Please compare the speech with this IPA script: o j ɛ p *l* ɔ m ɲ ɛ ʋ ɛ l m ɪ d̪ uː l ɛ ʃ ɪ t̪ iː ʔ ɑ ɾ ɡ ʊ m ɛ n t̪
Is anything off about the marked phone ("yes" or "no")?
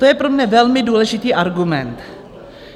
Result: yes